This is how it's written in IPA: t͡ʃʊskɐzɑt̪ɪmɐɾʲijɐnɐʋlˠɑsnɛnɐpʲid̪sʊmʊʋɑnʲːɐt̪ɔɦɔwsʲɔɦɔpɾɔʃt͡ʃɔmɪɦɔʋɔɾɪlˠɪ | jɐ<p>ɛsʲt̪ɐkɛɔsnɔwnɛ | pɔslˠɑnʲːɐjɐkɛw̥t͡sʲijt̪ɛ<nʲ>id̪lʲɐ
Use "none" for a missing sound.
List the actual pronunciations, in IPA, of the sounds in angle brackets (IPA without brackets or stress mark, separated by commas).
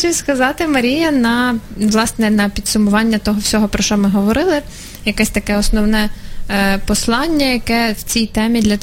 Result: k, mʲ